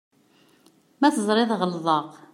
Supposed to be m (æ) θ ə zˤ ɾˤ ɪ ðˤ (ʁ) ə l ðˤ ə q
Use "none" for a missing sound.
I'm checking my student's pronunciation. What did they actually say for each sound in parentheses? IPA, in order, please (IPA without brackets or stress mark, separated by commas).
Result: æ, ʁ